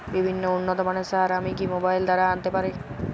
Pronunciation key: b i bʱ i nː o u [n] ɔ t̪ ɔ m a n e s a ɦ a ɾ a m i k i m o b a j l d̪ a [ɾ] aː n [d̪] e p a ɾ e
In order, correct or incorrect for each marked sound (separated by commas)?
incorrect, correct, incorrect